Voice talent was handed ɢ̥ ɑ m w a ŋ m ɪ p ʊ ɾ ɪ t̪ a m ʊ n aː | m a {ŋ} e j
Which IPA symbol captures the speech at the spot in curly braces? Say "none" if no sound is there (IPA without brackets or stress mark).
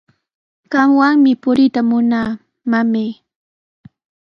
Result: m